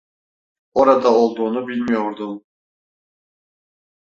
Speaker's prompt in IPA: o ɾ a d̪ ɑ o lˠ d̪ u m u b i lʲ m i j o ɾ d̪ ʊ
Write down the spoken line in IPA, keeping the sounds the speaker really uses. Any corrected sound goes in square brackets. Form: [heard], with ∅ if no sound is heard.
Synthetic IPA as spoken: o ɾ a d̪ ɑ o lˠ d̪ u [n] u b i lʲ m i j o ɾ d̪ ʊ